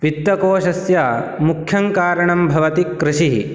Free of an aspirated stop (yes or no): no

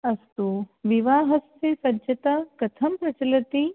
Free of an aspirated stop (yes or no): no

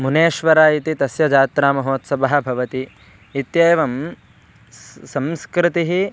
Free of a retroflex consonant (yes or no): yes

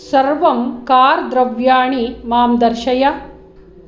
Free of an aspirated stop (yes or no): yes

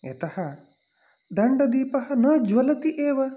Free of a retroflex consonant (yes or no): no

